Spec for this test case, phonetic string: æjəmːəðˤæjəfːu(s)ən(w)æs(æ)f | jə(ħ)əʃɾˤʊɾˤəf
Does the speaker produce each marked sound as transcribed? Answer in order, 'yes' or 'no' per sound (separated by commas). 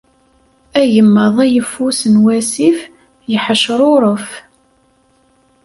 yes, yes, no, yes